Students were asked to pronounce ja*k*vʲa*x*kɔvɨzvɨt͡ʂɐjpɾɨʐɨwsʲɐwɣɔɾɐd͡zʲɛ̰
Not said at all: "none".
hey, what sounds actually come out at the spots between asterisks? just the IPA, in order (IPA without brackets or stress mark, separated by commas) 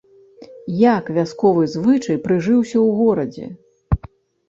k, s